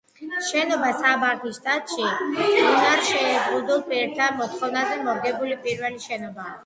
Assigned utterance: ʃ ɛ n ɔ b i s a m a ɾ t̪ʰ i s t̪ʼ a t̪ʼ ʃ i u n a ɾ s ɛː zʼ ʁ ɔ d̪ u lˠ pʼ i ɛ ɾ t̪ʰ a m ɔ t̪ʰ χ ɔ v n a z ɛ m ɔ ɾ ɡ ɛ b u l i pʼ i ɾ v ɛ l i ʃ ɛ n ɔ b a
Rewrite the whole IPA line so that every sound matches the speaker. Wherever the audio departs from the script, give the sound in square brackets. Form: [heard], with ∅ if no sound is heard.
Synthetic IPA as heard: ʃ ɛ n ɔ b [a] s a [b] a ɾ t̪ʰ i s t̪ʼ a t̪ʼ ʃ i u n a ɾ [ʃ] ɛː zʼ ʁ [u] d̪ u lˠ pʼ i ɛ ɾ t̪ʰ a m ɔ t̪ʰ χ ɔ v n a z ɛ m ɔ ɾ ɡ ɛ b u l i pʼ i ɾ v ɛ l i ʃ ɛ n ɔ b a

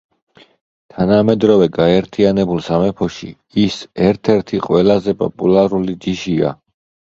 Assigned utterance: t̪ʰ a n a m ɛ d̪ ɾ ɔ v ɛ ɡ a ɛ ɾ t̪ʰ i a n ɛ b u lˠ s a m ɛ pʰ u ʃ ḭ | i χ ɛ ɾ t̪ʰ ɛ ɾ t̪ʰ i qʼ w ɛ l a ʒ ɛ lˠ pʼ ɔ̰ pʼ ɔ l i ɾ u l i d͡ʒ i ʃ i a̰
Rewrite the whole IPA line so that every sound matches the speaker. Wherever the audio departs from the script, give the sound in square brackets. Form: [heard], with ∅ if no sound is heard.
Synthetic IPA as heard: t̪ʰ a n a m ɛ d̪ ɾ ɔ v ɛ ɡ a ɛ ɾ t̪ʰ i a n ɛ b u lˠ s a m ɛ pʰ [ɔ] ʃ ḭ | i [s] ɛ ɾ t̪ʰ ɛ ɾ t̪ʰ i qʼ w ɛ l a [z] ɛ [∅] pʼ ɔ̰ pʼ [u] l [a] ɾ u l i d͡ʒ i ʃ i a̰

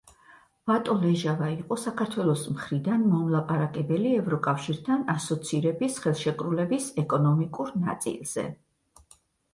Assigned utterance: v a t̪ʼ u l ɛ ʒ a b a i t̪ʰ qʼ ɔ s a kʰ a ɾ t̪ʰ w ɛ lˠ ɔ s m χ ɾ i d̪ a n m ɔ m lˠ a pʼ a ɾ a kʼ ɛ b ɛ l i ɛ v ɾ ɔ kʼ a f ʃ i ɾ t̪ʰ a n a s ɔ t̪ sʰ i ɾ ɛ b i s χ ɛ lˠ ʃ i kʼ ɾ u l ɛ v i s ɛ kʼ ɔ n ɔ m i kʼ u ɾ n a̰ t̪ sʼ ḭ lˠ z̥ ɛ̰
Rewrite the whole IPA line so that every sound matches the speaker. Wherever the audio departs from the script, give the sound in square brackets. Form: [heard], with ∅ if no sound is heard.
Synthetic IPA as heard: v a t̪ʼ [ɔ] l ɛ ʒ a [v] a i [∅] qʼ ɔ s a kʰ a ɾ t̪ʰ w ɛ lˠ ɔ s m χ ɾ i d̪ a n m ɔ m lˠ a pʼ a ɾ a kʼ ɛ b ɛ l i ɛ v ɾ ɔ kʼ a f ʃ i ɾ t̪ʰ a n a s ɔ t̪ sʰ i ɾ ɛ b i s χ ɛ lˠ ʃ [ɛ] kʼ ɾ u l ɛ [b] i s ɛ kʼ ɔ n ɔ m i kʼ u ɾ n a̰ t̪ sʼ ḭ lˠ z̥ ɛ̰

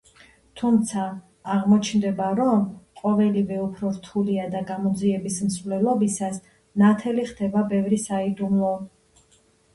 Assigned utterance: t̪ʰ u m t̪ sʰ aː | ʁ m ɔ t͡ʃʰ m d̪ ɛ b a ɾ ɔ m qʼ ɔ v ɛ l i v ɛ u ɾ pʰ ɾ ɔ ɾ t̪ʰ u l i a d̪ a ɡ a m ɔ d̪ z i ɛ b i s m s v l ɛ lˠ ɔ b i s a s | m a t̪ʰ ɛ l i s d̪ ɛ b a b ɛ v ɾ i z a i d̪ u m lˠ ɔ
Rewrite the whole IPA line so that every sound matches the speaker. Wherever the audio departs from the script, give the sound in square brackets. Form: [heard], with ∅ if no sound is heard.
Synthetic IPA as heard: t̪ʰ u m t̪ sʰ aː | ʁ m ɔ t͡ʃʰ [n] d̪ ɛ b a ɾ ɔ m qʼ ɔ v ɛ l i v ɛ u [∅] pʰ ɾ ɔ ɾ t̪ʰ u l i a d̪ a ɡ a m ɔ d̪ z i ɛ b i s m s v l ɛ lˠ ɔ b i s a s | [n] a t̪ʰ ɛ l i [χ] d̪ ɛ b a b ɛ v ɾ i [s] a i d̪ u m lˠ ɔ

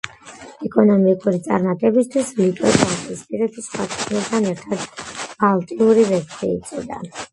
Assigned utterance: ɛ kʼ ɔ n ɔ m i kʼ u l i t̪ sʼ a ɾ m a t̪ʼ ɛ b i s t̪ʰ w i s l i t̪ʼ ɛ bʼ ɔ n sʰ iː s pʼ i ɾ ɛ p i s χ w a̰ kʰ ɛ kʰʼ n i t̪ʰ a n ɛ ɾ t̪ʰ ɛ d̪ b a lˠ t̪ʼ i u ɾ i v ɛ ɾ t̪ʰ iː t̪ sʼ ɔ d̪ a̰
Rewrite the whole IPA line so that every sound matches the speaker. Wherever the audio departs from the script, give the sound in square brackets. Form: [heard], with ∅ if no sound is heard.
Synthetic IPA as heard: ɛ kʼ ɔ n ɔ m i kʼ u [ɾ] i t̪ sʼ a ɾ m a t̪ʼ ɛ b i s t̪ʰ w i s l i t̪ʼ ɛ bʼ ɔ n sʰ [i] s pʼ i ɾ ɛ p i s χ w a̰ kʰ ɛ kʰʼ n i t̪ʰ a n ɛ ɾ t̪ʰ [a] d̪ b a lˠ t̪ʼ i u ɾ i v ɛ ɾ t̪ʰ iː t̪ sʼ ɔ d̪ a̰

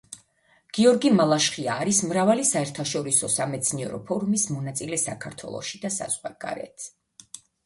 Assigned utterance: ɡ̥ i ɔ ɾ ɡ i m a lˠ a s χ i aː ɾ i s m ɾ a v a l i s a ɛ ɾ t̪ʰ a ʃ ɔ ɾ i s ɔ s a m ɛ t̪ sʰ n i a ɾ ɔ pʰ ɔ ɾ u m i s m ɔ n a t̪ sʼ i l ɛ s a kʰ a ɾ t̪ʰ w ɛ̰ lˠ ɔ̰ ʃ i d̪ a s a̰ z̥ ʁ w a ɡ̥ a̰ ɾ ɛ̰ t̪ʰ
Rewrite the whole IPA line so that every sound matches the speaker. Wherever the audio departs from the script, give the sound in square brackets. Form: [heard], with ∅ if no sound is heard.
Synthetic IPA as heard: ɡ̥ i ɔ ɾ ɡ i m a lˠ a [ʃ] χ i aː ɾ i s m ɾ a v a l i s a ɛ ɾ t̪ʰ a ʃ ɔ ɾ i s ɔ s a m ɛ t̪ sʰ n i [ɛ] ɾ ɔ pʰ ɔ ɾ u m i s m ɔ n a t̪ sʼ i l ɛ s a kʰ a ɾ t̪ʰ w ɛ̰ lˠ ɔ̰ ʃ i d̪ a s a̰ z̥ ʁ w a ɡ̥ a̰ ɾ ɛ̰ t̪ʰ

